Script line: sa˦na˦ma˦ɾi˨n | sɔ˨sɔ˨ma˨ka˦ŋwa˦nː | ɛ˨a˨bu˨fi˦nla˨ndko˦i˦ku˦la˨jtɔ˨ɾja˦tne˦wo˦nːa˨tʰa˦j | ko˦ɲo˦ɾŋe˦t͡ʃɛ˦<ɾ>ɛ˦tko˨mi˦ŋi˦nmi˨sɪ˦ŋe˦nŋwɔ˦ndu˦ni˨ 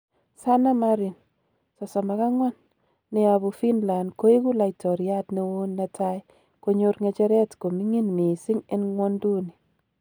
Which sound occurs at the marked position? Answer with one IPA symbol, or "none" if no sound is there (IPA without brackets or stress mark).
ɾ